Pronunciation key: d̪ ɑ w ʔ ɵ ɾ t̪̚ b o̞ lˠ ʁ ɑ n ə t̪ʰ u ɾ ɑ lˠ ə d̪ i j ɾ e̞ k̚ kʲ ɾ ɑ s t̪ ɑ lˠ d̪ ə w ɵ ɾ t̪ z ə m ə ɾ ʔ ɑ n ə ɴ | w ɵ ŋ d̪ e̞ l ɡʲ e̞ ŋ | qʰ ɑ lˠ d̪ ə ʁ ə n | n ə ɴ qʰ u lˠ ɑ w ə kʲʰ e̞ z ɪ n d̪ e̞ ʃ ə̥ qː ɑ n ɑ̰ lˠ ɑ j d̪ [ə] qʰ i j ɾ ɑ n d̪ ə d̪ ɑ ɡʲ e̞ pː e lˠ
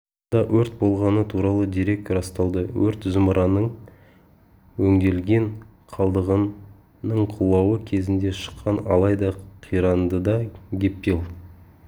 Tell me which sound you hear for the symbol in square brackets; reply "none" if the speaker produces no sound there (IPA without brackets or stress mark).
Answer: ɑ